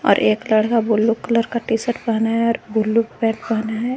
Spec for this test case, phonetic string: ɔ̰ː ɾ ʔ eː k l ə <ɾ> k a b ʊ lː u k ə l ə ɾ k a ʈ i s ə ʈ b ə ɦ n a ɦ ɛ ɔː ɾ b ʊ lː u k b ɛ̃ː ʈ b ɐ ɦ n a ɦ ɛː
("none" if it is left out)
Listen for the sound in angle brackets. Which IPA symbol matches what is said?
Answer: ɽ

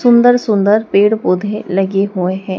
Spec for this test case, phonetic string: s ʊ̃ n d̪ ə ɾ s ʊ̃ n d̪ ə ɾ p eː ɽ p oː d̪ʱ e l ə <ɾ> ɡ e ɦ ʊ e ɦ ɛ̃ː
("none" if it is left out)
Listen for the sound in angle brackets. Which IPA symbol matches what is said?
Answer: none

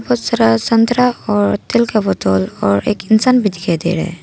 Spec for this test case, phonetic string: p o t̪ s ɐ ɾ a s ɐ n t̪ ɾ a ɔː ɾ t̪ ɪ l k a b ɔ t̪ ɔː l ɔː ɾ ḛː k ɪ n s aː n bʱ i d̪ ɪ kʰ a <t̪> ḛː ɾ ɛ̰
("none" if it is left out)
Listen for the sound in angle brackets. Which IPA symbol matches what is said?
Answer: d̪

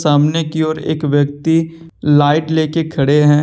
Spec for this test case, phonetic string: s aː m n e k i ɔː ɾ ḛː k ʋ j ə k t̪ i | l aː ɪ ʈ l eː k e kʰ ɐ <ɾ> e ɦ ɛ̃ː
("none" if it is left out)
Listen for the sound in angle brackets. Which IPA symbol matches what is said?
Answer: ɽ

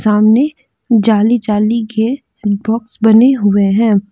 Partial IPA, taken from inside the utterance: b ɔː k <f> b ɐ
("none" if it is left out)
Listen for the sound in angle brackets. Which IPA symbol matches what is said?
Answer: s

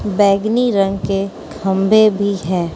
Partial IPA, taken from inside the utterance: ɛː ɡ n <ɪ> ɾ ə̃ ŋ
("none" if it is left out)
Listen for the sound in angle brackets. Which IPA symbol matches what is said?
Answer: i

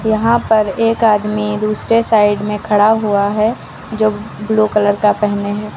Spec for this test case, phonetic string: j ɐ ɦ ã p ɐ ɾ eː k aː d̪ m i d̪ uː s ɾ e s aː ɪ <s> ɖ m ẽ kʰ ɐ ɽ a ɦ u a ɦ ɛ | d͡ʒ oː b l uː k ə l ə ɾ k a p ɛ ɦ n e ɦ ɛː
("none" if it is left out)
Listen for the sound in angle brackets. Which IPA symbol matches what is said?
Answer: none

